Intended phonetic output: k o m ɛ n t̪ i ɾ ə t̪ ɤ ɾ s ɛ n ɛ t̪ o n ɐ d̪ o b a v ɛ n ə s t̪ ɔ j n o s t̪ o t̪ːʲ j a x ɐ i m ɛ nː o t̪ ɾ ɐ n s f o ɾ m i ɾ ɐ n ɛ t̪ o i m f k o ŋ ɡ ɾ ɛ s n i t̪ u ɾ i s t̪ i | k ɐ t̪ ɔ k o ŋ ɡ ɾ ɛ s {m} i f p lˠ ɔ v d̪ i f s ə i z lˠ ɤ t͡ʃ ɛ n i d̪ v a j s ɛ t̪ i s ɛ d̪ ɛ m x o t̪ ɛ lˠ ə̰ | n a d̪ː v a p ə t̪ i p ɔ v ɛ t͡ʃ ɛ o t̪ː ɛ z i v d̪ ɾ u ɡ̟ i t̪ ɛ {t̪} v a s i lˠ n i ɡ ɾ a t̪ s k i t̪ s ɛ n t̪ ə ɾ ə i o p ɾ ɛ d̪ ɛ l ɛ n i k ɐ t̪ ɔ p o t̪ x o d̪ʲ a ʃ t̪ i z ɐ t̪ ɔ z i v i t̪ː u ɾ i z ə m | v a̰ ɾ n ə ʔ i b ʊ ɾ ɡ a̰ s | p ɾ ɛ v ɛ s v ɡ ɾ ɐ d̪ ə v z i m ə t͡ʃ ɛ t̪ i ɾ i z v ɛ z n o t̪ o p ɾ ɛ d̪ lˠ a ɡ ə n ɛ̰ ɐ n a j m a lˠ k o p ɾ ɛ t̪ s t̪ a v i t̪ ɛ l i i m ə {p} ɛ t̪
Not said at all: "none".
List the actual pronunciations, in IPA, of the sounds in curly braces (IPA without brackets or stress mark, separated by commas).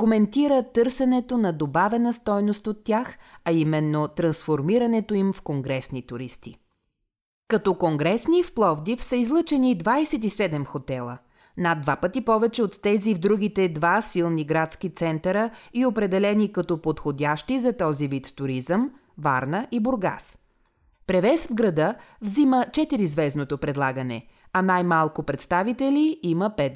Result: n, d̪, p